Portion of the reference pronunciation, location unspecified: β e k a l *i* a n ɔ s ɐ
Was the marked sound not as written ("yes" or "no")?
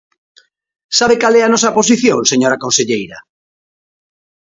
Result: yes